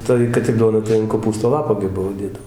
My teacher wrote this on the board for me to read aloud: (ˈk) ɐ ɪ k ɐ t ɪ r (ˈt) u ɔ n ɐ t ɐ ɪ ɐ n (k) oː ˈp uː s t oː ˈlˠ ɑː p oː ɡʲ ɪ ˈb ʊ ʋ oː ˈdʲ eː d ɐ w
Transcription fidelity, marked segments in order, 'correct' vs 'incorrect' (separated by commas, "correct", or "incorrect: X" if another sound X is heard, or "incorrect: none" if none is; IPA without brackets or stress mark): incorrect: t, incorrect: d, correct